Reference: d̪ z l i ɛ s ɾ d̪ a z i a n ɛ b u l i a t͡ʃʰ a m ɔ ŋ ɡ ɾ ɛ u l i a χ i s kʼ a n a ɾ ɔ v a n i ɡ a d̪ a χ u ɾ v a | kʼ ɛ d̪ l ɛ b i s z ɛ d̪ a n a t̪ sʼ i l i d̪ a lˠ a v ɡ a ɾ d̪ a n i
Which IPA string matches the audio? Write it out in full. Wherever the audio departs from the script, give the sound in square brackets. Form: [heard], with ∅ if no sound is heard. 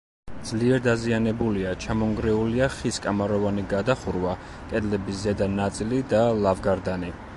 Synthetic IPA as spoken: d̪ z l i ɛ [∅] ɾ d̪ a z i a n ɛ b u l i a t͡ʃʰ a m ɔ ŋ ɡ ɾ ɛ u l i a χ i s kʼ a [m] a ɾ ɔ v a n i ɡ a d̪ a χ u ɾ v a | kʼ ɛ d̪ l ɛ b i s z ɛ d̪ a n a t̪ sʼ i l i d̪ a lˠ a v ɡ a ɾ d̪ a n i